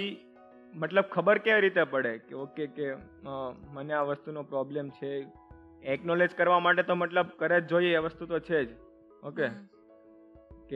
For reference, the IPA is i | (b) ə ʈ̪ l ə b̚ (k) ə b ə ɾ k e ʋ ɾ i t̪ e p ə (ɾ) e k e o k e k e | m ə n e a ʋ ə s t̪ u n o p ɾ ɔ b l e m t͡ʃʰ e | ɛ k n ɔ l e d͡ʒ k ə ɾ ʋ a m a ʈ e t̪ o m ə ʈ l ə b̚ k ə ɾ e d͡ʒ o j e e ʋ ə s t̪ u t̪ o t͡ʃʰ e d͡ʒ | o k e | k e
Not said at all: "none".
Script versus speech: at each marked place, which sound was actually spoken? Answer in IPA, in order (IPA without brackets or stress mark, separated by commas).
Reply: m, kʰ, ɽ